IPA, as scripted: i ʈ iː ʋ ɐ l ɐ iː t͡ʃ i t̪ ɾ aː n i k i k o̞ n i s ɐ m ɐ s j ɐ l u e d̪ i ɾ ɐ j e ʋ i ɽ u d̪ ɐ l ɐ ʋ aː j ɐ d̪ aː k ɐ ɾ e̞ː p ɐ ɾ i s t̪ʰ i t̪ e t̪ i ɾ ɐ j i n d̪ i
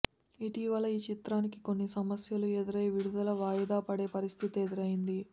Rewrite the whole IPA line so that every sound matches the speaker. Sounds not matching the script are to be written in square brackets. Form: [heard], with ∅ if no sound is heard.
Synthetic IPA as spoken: i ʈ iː ʋ ɐ l ɐ iː t͡ʃ i t̪ ɾ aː n i k i k o̞ [nː] i s ɐ m ɐ s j ɐ l u e d̪ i ɾ ɐ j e ʋ i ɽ u d̪ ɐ l ɐ ʋ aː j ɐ d̪ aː [p] ɐ [ɽ] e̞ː p ɐ ɾ i s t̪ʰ i t̪ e [d̪] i ɾ ɐ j i n d̪ i